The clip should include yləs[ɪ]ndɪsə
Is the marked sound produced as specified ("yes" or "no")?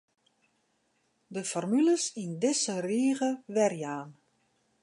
no